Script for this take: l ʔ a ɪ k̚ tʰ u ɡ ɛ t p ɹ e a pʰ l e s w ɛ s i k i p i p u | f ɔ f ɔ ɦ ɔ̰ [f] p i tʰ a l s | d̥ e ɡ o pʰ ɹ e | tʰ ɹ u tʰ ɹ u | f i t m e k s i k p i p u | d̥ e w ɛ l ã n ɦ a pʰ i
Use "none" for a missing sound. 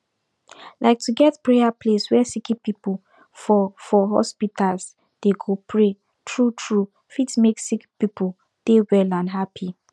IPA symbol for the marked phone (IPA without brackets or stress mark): s